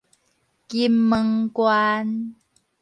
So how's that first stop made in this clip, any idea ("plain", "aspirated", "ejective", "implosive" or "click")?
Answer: plain